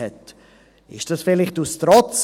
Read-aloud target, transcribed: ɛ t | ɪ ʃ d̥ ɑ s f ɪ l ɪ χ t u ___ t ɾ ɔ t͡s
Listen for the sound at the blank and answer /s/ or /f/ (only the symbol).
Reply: s